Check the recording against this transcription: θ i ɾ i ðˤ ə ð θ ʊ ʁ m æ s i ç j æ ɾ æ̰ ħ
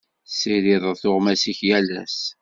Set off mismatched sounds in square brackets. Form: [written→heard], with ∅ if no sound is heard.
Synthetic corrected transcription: [θ→s] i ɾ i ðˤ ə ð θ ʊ ʁ m æ s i ç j æ [ɾ→l] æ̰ [ħ→s]